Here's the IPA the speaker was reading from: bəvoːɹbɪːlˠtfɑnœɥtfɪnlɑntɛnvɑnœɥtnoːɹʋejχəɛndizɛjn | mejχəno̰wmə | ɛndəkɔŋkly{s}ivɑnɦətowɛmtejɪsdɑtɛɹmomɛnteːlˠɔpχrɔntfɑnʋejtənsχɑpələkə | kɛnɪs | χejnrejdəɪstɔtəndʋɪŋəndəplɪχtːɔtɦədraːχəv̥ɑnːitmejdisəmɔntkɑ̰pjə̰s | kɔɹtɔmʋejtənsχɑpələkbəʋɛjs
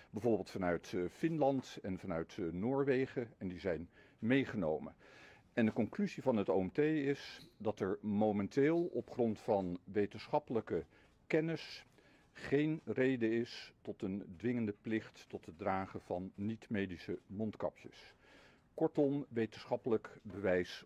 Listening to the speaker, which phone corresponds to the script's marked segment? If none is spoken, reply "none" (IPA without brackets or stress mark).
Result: z